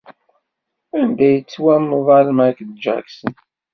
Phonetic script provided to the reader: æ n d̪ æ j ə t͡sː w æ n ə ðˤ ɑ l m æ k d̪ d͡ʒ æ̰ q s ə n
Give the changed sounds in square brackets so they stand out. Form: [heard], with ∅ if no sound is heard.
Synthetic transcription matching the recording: æ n d̪ æ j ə t͡sː w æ [m] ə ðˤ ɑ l m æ k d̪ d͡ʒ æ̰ [k] s ə n